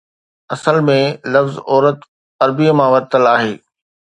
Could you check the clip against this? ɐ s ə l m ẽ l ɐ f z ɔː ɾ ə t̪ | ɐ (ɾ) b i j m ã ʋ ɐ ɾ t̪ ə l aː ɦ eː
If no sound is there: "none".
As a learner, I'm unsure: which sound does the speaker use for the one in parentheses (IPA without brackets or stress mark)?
ɾ